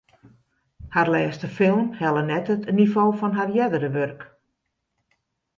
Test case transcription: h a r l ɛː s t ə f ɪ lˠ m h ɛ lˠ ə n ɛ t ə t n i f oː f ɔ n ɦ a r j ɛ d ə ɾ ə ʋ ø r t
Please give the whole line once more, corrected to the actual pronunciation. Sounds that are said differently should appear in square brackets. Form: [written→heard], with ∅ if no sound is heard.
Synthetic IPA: h a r l ɛː s t ə f ɪ lˠ m h ɛ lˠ ə n ɛ t ə t n i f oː f ɔ n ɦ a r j ɛ d ə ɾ ə ʋ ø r [t→k]